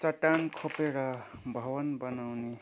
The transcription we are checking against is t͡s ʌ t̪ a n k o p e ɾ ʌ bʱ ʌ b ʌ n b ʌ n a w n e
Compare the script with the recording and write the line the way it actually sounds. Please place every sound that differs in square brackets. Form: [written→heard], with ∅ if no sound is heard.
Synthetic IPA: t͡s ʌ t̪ a n [k→kʰ] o p e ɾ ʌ bʱ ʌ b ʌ n b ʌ n a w n e